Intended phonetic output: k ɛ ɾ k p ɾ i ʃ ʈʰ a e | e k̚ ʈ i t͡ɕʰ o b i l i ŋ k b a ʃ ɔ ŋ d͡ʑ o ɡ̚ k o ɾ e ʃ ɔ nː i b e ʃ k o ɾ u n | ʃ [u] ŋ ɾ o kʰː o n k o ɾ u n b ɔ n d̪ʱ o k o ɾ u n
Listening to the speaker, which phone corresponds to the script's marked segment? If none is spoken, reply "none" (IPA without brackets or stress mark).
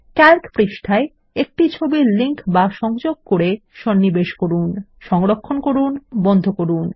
ɔ